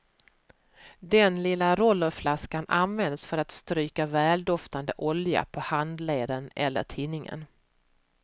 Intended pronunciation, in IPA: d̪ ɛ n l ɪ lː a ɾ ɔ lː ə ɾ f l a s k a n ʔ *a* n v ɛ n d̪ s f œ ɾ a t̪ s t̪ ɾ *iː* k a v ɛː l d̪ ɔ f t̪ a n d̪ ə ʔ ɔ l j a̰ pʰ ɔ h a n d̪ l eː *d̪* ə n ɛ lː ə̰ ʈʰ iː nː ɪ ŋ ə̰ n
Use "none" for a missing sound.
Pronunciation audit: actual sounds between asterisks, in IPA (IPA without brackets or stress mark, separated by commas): a, yː, d̪